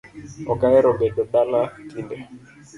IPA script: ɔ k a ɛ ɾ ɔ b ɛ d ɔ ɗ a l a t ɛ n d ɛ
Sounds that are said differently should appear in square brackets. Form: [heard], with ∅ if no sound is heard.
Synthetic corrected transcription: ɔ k a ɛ ɾ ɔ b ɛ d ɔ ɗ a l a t [i] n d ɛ